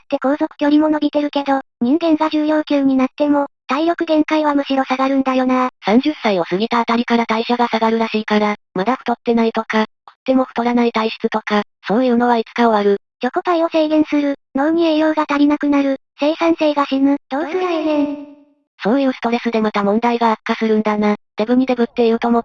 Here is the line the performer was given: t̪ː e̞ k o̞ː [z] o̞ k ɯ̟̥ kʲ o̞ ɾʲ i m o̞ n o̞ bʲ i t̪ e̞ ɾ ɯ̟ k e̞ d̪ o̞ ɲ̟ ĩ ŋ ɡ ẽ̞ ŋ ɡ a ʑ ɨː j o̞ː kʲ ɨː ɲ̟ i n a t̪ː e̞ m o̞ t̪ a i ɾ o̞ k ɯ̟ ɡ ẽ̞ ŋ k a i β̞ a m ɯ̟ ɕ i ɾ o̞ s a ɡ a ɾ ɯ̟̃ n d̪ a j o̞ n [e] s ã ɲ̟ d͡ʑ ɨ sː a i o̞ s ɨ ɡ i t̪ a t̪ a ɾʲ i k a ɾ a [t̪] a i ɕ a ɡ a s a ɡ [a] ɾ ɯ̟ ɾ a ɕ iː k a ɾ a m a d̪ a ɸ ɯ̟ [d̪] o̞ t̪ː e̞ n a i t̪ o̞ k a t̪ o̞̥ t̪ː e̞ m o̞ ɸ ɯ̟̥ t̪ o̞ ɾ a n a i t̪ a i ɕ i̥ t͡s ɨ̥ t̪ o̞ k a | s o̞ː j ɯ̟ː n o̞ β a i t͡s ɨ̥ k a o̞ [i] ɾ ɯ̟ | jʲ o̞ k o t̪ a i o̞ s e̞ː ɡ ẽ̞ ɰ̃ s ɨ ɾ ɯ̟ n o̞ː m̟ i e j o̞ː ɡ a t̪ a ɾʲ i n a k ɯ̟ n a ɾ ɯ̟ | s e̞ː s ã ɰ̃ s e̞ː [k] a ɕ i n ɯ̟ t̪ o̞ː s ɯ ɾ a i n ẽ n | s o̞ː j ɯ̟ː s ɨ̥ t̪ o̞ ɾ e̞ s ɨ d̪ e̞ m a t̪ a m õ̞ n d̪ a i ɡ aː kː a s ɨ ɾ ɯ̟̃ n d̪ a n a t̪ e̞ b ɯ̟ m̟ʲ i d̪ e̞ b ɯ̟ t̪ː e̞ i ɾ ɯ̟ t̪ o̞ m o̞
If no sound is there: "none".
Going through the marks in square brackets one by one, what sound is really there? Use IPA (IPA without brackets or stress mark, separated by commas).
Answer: z, a, t̪, a, t̪, a, ɡ